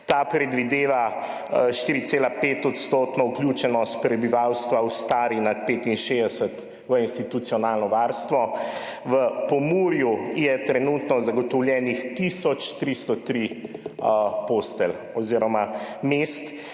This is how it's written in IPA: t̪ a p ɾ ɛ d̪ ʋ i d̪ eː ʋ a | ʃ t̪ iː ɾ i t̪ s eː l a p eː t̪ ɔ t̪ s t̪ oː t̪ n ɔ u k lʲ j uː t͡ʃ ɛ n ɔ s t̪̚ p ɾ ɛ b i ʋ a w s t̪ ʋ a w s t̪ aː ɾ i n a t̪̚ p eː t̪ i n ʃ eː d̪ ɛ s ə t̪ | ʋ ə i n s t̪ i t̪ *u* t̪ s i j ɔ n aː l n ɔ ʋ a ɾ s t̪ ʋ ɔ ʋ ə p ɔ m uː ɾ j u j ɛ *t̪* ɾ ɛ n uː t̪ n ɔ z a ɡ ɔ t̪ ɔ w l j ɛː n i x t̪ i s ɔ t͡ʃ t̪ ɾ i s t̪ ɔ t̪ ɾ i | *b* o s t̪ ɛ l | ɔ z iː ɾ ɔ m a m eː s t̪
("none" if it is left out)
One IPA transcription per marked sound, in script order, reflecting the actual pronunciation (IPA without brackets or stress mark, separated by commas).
u, t̪, p